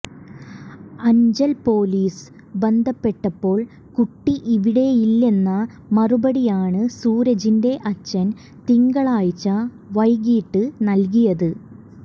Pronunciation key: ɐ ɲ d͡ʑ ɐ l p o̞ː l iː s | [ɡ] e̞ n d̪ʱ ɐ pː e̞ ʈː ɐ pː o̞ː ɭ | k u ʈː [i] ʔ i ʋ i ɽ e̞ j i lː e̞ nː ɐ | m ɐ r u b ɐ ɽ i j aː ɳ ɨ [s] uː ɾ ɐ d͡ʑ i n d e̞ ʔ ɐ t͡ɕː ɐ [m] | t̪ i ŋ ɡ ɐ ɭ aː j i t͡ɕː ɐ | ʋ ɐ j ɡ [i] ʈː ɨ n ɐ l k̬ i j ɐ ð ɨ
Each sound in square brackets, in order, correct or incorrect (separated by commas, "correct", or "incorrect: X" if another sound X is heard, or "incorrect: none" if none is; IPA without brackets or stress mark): incorrect: b, correct, correct, incorrect: n, incorrect: iː